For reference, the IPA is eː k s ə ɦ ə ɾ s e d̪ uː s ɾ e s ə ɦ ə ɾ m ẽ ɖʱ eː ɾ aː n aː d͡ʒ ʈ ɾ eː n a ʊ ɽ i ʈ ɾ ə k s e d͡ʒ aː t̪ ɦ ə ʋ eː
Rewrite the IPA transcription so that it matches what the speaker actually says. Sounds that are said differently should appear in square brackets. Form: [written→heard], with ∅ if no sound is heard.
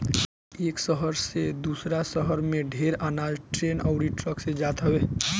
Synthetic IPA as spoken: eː k s ə ɦ ə ɾ s e d̪ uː s ɾ [e→a] s ə ɦ ə ɾ m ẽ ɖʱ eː ɾ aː n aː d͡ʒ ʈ ɾ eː n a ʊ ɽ i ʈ ɾ ə k s e d͡ʒ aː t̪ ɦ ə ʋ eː